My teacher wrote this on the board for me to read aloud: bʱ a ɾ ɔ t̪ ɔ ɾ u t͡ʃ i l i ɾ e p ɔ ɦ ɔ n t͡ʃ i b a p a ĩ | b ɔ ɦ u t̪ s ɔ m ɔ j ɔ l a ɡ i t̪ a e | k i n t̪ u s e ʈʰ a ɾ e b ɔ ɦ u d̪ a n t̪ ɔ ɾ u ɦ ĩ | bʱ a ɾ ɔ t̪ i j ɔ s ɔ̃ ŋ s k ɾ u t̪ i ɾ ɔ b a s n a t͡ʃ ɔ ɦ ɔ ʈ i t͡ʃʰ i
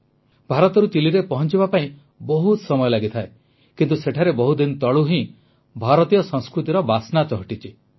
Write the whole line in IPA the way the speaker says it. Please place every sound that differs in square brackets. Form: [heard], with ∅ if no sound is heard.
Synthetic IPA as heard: bʱ a ɾ ɔ t̪ ɔ ɾ u t͡ʃ i l i ɾ e p ɔ ɦ ɔ n t͡ʃ i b a p a ĩ | b ɔ ɦ u t̪ s ɔ m ɔ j ɔ l a ɡ i [t̪ʰ] a e | k i n t̪ u s e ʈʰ a ɾ e b ɔ ɦ u d̪ [i] n t̪ ɔ [ɭ] u ɦ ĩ | bʱ a ɾ ɔ t̪ i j ɔ s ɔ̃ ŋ s k ɾ u t̪ i ɾ ɔ b a s n a t͡ʃ ɔ ɦ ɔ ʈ i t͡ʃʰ i